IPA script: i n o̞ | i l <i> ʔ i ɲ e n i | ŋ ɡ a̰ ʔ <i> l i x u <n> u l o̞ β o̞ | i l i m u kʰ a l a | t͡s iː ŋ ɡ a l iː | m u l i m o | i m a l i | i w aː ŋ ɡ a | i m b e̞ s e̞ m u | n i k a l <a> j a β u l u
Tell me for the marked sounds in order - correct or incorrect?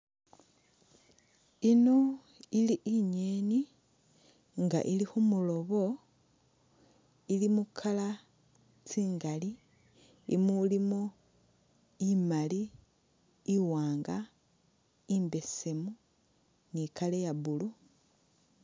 correct, correct, incorrect: m, incorrect: e

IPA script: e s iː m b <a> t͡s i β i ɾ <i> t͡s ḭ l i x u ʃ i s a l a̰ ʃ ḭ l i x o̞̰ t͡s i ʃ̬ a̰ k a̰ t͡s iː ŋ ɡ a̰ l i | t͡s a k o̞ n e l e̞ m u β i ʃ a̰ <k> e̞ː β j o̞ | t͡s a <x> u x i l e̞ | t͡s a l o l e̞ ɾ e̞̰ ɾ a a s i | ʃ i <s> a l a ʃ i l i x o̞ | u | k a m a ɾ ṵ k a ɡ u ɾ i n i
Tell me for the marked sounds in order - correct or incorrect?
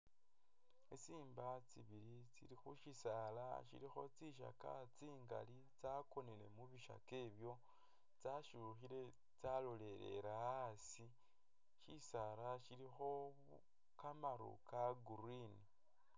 correct, correct, correct, incorrect: ʃ, correct

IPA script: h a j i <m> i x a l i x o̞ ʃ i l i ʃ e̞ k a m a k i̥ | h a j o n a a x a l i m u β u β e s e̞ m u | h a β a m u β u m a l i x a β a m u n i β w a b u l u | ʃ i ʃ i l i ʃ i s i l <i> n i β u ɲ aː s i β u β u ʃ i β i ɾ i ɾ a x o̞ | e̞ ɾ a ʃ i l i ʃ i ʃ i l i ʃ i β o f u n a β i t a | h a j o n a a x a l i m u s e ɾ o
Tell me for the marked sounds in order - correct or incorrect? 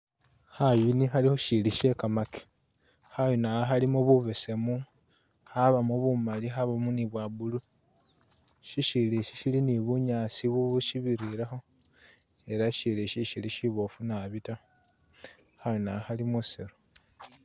incorrect: n, correct

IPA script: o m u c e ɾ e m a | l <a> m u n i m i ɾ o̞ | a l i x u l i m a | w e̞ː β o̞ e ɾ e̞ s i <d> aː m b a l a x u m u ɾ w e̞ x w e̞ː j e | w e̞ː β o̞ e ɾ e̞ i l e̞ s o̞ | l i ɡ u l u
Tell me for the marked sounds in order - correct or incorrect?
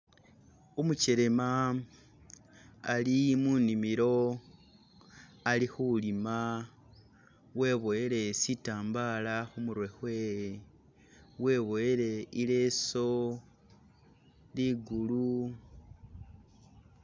incorrect: i, incorrect: t

